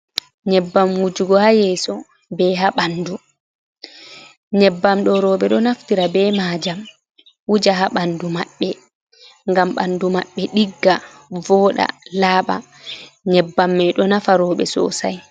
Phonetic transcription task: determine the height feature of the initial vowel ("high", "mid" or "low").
mid